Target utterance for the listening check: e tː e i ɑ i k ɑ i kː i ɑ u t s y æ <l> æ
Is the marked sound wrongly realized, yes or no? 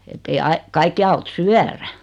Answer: yes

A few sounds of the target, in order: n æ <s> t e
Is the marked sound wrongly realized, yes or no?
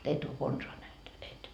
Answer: yes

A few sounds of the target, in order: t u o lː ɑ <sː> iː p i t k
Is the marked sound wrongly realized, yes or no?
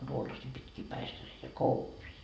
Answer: yes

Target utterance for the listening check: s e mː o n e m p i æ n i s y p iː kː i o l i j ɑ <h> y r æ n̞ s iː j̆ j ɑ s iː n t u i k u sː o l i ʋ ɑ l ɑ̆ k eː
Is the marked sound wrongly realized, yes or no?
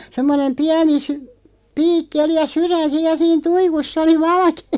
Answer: yes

